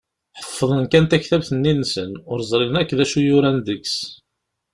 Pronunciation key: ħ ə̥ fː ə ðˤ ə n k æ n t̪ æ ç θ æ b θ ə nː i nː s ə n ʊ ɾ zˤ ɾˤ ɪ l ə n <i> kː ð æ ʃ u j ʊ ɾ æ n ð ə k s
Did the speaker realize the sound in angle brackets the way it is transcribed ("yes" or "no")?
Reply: no